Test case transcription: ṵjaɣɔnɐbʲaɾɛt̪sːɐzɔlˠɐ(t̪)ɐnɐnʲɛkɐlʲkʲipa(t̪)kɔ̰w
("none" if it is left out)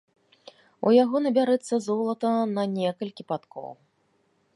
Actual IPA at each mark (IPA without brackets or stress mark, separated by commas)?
t̪, t̪